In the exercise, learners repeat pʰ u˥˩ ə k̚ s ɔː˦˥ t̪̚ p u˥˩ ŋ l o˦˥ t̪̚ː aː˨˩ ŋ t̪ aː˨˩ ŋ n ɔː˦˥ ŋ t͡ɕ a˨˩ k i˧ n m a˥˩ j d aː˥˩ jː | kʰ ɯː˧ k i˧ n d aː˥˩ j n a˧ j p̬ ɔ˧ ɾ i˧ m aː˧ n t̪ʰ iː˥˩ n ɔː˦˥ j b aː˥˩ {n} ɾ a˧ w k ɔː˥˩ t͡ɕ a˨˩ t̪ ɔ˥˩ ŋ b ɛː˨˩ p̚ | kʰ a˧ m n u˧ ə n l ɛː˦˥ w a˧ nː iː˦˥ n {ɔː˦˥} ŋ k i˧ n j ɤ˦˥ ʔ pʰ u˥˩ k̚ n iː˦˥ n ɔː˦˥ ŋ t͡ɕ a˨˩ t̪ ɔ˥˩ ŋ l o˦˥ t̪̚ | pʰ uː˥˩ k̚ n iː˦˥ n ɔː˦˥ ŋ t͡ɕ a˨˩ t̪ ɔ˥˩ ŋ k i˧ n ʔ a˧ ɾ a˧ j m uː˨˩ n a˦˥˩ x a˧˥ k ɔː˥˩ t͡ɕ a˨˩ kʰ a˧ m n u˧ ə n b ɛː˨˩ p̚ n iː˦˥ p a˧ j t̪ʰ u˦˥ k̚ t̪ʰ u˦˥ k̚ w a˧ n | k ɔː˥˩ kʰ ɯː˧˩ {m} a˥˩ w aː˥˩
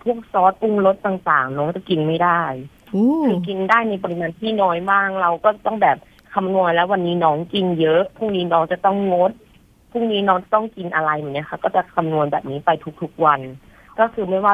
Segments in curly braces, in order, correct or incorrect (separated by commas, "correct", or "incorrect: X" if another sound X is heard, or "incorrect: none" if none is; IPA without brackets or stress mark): incorrect: ŋ, correct, correct